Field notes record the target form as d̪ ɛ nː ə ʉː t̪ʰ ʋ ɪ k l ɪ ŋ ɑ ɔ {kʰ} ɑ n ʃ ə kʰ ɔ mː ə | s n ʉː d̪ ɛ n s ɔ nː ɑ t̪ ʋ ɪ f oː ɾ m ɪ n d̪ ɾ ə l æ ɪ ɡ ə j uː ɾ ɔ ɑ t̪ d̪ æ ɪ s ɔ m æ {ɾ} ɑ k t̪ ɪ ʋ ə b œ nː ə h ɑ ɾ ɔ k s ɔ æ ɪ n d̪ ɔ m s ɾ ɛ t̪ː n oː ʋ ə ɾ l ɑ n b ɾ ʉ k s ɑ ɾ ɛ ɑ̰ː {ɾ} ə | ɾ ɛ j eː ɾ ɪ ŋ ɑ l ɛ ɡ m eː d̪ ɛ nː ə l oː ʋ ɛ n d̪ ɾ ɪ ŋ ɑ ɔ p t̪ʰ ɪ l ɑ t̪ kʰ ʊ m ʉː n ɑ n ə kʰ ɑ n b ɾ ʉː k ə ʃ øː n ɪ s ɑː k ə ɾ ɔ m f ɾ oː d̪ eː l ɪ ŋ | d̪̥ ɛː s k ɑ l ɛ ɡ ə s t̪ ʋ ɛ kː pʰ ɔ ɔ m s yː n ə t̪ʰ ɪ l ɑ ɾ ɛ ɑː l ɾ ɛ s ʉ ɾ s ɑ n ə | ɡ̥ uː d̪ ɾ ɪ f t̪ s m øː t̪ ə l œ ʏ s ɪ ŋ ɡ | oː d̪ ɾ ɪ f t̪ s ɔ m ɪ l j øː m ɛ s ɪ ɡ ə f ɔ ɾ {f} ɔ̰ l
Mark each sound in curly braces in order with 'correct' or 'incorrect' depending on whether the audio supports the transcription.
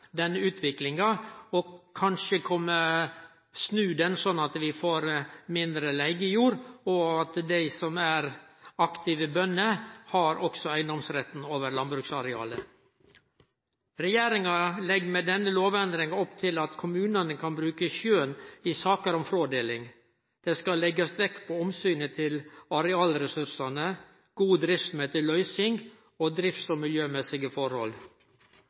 correct, correct, incorrect, incorrect

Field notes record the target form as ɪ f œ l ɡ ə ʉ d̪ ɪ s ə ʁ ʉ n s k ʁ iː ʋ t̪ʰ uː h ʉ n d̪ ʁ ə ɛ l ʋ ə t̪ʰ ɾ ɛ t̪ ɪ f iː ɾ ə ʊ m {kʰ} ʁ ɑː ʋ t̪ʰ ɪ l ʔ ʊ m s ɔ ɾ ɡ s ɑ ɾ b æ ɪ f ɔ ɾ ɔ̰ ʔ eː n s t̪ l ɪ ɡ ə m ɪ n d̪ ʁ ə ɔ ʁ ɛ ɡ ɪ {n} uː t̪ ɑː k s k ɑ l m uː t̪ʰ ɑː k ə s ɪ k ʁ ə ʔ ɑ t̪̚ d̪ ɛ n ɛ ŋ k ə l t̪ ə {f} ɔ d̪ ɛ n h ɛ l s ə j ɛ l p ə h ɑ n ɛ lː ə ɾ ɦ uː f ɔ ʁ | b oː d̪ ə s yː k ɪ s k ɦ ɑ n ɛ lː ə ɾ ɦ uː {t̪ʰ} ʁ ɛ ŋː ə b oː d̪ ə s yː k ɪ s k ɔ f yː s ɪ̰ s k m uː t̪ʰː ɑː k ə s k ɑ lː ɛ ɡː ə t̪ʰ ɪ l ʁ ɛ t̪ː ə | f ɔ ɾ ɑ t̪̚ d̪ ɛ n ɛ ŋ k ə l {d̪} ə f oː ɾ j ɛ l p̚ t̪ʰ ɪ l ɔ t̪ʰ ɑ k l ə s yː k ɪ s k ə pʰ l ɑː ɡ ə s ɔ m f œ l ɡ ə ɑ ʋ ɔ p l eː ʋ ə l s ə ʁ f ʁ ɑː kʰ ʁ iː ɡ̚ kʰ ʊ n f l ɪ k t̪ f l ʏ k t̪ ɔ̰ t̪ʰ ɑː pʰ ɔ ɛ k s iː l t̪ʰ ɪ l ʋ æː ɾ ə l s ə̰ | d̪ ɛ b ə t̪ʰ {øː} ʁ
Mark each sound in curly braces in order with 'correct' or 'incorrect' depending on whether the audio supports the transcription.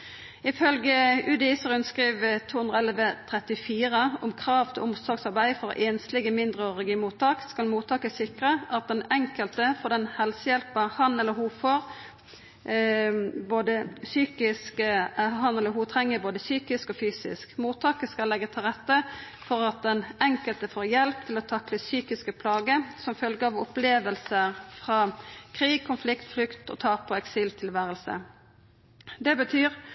correct, incorrect, correct, correct, incorrect, incorrect

